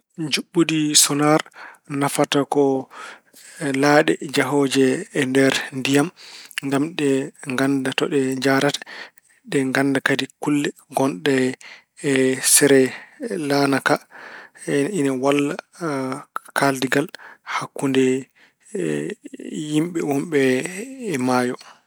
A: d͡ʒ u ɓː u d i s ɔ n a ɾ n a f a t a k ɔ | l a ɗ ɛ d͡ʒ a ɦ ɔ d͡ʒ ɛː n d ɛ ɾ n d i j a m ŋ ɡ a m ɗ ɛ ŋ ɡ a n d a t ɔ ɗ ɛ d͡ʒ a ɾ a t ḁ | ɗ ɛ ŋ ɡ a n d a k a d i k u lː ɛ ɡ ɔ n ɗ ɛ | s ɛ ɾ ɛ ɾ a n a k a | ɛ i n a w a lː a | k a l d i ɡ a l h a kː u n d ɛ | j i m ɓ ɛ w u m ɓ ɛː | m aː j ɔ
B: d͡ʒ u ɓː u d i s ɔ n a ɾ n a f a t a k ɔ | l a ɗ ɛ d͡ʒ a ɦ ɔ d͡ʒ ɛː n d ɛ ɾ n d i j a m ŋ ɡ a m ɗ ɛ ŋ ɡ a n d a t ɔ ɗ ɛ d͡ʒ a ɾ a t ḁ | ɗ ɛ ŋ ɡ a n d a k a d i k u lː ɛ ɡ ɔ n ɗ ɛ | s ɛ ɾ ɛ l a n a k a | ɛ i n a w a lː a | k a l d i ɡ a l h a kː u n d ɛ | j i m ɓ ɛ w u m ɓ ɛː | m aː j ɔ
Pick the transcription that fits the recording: B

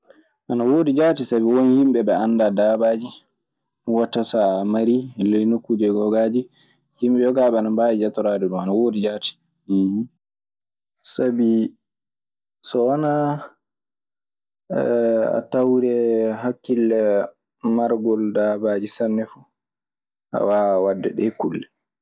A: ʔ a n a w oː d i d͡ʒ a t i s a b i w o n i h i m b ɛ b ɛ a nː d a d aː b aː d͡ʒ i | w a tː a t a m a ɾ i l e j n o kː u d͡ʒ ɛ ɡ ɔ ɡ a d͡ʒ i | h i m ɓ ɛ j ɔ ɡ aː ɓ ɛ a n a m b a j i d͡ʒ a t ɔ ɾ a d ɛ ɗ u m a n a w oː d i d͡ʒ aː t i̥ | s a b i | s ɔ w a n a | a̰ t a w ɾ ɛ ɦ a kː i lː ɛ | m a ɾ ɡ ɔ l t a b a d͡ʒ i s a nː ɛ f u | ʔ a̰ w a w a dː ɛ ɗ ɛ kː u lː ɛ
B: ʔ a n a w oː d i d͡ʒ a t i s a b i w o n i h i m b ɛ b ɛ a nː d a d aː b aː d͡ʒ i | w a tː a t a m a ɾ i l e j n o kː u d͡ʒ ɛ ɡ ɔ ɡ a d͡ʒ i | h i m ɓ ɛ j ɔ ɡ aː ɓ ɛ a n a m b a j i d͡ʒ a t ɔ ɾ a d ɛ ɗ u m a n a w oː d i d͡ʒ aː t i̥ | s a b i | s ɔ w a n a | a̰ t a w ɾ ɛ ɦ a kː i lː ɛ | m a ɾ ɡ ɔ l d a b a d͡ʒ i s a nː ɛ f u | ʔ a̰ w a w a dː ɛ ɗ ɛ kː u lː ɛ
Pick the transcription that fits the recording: B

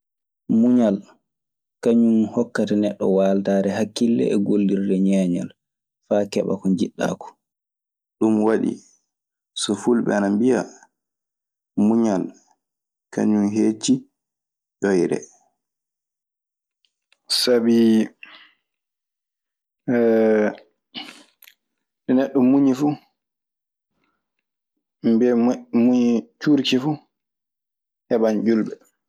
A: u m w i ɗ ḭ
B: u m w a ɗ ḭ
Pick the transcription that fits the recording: B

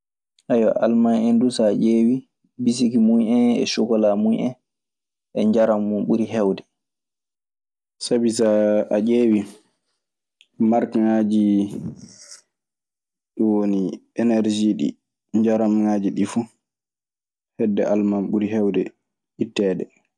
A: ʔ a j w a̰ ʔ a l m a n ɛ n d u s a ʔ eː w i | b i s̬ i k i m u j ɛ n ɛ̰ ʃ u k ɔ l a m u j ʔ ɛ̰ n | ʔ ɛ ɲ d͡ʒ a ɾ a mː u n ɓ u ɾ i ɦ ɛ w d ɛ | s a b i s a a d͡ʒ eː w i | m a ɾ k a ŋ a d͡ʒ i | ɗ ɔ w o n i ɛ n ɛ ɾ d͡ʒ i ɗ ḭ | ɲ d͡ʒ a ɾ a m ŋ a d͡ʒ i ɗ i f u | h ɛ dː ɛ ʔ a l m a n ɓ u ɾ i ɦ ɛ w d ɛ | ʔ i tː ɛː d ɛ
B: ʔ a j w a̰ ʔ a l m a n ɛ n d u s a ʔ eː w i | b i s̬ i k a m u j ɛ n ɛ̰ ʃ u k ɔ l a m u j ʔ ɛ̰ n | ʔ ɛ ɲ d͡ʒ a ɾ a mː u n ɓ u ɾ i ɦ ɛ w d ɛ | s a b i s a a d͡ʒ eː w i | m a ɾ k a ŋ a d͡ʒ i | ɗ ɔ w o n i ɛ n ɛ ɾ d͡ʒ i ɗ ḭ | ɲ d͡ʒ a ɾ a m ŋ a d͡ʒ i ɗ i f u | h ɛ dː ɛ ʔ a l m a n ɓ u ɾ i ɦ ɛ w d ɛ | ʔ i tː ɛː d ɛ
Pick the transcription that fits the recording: A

